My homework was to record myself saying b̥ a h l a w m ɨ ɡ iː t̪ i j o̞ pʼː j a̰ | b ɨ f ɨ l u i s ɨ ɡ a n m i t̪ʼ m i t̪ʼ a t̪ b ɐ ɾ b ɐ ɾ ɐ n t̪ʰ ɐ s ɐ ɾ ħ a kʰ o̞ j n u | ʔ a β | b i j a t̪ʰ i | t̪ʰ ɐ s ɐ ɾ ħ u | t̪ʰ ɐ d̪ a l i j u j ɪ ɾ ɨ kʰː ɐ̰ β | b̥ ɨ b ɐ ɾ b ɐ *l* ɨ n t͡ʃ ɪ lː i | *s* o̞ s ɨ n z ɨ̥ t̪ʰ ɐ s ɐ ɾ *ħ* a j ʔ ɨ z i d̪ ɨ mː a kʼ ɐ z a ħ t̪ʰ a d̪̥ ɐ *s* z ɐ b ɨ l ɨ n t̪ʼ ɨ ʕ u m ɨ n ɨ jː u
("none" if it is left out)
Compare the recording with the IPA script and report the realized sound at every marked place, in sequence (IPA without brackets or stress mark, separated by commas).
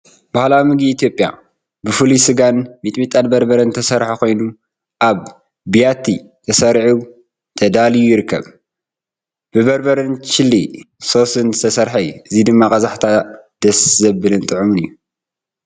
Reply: ɾ, s, ħ, s